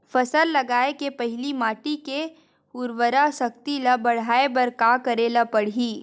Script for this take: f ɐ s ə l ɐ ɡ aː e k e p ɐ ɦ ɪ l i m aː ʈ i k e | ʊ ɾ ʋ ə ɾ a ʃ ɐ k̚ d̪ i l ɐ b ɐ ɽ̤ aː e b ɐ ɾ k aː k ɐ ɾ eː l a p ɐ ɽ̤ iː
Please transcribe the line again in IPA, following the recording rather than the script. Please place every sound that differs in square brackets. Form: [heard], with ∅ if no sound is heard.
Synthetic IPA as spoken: f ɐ s ə [lː] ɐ ɡ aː e k e p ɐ ɦ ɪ l i m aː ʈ i k e | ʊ ɾ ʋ ə ɾ a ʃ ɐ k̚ [t̪] i l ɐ b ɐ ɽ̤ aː e b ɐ ɾ k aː k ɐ ɾ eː l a p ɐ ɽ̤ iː